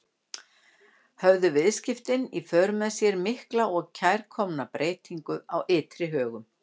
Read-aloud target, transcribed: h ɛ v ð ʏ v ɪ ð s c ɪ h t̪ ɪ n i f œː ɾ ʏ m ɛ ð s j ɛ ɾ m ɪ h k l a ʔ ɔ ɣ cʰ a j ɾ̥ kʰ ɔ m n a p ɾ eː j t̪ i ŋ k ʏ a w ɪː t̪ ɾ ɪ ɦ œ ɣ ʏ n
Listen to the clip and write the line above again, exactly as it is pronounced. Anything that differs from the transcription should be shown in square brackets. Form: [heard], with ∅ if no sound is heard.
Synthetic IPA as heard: h [œ] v ð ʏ v ɪ ð s c ɪ [f] t̪ ɪ n i f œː ɾ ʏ m ɛ ð s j ɛ ɾ m ɪ h k l a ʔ ɔ ɣ cʰ a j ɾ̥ kʰ ɔ m n a p ɾ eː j t̪ i ŋ k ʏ a w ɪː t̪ ɾ ɪ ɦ [œː] ɣ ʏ [m]